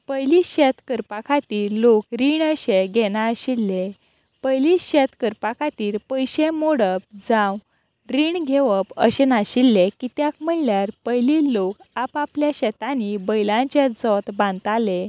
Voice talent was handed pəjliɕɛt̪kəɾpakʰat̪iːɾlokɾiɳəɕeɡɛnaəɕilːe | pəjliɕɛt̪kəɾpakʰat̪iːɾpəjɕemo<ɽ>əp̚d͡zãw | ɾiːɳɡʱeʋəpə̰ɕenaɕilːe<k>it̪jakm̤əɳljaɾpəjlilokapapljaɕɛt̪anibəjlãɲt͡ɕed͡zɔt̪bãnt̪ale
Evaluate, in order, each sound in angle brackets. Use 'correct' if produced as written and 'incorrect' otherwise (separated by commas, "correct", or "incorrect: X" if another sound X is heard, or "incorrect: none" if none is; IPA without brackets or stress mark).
correct, correct